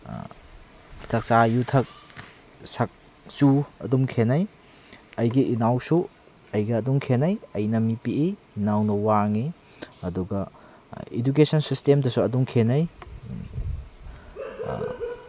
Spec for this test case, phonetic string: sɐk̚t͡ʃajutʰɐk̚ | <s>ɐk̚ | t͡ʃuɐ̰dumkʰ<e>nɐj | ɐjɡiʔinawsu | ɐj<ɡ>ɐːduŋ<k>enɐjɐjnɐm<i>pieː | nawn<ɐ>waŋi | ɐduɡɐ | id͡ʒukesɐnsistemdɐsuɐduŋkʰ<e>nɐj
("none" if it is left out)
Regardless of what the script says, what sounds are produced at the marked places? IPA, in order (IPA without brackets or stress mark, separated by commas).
s, e, ɡ, kʰ, i, ɐ, e